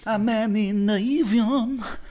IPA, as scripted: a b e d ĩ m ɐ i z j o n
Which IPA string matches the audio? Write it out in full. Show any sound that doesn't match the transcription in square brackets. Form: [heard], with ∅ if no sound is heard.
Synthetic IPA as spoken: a [m] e [n] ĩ [n] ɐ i [v] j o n